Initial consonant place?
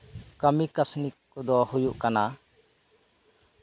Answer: velar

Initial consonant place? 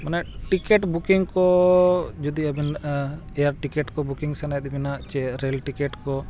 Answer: labial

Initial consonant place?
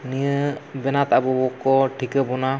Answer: alveolar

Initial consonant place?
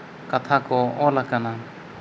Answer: velar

